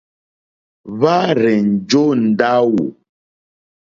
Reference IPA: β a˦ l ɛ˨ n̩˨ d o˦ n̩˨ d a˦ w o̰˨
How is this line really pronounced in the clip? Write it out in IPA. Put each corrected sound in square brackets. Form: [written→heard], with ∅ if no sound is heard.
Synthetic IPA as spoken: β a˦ [l→ɾ] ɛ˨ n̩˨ [d→d͡ʒ] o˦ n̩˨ d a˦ w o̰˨